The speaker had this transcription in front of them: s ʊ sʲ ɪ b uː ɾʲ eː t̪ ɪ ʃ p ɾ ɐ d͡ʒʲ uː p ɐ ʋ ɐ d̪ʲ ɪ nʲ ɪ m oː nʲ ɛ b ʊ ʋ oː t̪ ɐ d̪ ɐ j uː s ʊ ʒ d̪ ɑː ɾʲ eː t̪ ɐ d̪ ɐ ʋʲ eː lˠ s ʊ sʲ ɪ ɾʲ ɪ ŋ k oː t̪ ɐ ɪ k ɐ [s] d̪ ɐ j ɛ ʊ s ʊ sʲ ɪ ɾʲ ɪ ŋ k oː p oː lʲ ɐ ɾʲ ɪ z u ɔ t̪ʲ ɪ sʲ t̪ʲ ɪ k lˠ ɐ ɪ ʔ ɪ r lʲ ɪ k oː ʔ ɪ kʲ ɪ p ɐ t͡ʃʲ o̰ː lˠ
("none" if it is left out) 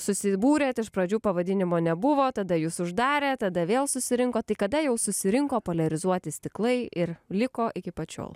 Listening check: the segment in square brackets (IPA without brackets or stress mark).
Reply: none